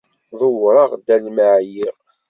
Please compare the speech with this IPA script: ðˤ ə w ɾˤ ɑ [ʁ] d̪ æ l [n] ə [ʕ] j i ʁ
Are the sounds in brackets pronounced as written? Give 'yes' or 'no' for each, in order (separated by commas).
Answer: yes, no, yes